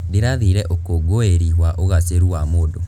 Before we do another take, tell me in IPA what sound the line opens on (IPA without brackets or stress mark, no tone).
d